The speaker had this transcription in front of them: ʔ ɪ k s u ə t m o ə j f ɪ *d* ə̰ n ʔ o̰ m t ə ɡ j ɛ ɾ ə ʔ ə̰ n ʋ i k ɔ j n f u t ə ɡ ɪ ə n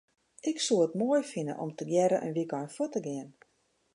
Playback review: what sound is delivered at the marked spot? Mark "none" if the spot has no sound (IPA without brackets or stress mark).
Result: n